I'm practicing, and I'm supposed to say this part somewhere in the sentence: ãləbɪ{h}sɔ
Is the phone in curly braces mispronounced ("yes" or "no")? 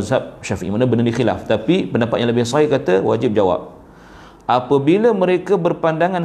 no